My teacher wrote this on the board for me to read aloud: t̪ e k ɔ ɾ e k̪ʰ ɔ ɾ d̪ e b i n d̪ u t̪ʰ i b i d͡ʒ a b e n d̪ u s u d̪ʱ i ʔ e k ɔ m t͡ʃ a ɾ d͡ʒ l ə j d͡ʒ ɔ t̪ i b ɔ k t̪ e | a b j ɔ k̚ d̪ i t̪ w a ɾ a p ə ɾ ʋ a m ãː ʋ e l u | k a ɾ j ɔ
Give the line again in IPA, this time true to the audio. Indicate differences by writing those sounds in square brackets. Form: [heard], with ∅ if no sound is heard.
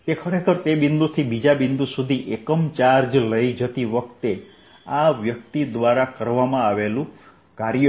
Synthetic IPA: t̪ e [kʰ] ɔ ɾ e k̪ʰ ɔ ɾ [t̪] e b i n d̪ u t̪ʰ i b i d͡ʒ a b [i] n d̪ u s u d̪ʱ i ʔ e k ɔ m t͡ʃ a ɾ d͡ʒ l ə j d͡ʒ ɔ t̪ i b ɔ k t̪ e | a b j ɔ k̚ [t̪] i [d̪] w a ɾ a [k] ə ɾ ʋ a m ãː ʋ e l u | k a ɾ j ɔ

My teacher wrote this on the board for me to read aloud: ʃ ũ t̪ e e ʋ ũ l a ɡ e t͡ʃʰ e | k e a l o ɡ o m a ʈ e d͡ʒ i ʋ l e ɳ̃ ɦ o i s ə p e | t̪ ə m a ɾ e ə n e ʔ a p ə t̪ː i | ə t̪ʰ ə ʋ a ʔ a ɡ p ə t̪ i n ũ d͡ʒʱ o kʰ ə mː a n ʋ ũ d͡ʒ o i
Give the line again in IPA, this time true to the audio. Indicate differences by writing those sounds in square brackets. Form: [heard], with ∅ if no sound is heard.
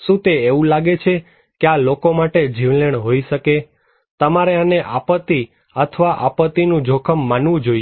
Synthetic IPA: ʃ ũ t̪ e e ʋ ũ l a ɡ e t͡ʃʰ e | k e a l o [k] o m a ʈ e d͡ʒ i ʋ l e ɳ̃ ɦ o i [ʃ] ə [k] e | t̪ ə m a ɾ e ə n e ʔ a p ə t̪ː i | ə t̪ʰ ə ʋ a ʔ a [∅] p ə t̪ i n ũ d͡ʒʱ o kʰ ə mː a n ʋ ũ d͡ʒ o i

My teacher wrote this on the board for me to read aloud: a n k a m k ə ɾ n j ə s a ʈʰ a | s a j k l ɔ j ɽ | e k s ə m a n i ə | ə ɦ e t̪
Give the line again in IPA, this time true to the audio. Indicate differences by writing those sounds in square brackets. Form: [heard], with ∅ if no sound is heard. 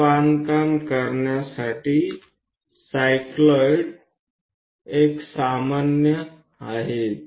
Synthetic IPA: a n k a m k ə ɾ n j [a] s a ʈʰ [i] | s a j k l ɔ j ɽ | e k s [a] m a n [j] ə | [a] ɦ e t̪

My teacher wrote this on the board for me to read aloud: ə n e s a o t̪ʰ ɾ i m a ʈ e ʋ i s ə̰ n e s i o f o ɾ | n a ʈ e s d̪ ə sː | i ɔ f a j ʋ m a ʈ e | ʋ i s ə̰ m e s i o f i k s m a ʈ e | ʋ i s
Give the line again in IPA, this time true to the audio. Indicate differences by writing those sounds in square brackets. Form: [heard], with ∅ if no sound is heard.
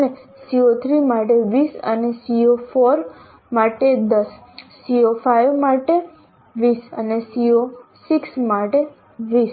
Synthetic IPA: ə n e s [i] o t̪ʰ ɾ i m a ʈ e ʋ i s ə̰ n e s i o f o ɾ | [m] a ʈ e [∅] d̪ ə sː | i [o] f a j ʋ m a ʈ e | ʋ i s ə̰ [n] e s i o [s] i k s m a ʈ e | ʋ i s

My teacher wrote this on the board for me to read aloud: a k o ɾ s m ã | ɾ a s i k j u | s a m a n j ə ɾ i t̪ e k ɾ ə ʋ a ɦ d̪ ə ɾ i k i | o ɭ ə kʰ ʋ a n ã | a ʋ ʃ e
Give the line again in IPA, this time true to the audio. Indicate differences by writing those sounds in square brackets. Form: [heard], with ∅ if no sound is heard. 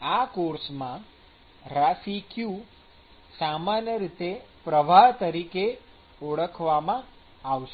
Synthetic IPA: a k o ɾ s m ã | ɾ a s i k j u | s a m a n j ə ɾ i t̪ e [p] ɾ ə ʋ a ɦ [t̪] ə ɾ i k [e] | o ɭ ə kʰ ʋ a [m] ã | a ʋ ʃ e

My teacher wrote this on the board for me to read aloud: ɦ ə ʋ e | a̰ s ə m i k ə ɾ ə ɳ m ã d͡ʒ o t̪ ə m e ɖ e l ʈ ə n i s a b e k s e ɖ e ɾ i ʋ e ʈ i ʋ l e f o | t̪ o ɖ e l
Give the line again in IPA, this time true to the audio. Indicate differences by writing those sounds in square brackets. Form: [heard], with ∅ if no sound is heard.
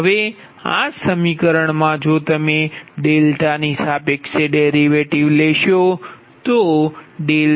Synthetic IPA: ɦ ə ʋ e | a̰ s ə m i k ə ɾ ə ɳ m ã d͡ʒ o t̪ ə m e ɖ e l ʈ [a] n i s a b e k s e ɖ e ɾ i ʋ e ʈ i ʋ l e [ʃ] o | t̪ o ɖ e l

